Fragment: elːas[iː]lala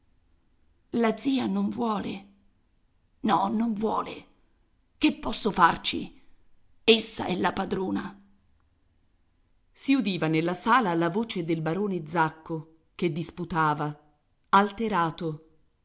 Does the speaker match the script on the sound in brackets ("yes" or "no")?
no